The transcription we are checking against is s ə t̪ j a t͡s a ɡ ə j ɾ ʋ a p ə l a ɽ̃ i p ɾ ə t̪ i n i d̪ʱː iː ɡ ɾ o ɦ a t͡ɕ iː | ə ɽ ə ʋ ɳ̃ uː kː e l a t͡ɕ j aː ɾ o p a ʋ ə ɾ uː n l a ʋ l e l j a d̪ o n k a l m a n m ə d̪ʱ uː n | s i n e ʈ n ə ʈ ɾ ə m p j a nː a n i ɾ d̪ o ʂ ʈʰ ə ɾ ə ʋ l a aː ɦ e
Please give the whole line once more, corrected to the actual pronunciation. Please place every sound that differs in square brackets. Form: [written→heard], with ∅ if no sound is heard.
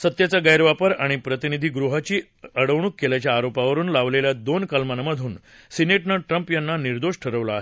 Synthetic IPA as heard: s ə t̪ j a t͡s a ɡ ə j ɾ ʋ a p ə [l→ɾ] a ɽ̃ i p ɾ ə t̪ i n i [d̪ʱː→d̪ʱ] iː ɡ ɾ [o→u] ɦ a t͡ɕ iː | ə ɽ ə ʋ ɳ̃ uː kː e l a t͡ɕ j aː ɾ o p a ʋ ə ɾ uː n l a ʋ l e l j a d̪ o n k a l m a n m ə d̪ʱ uː n | s i n e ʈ n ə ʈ ɾ ə m p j a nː a n i ɾ d̪ o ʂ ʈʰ ə ɾ ə ʋ l a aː ɦ e